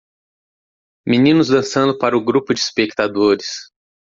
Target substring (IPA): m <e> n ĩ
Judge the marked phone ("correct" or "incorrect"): incorrect